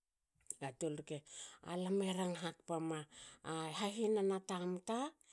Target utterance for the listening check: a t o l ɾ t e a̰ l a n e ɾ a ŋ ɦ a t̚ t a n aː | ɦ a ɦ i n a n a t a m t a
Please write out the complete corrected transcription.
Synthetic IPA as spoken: a t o l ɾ k e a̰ l a m e ɾ a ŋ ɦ a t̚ p a m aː | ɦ a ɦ i n a n a t a m t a